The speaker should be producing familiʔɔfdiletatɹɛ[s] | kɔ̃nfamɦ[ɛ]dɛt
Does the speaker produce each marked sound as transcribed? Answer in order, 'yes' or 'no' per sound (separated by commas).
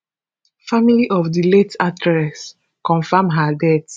yes, no